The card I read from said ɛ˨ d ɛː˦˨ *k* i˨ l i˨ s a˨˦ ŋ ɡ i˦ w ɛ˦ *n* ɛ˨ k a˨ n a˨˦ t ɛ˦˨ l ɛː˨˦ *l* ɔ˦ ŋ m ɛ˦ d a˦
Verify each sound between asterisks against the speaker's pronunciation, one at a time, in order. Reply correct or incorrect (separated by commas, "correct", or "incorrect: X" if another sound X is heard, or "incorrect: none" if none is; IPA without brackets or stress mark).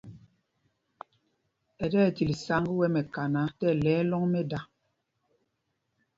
incorrect: t, incorrect: m, correct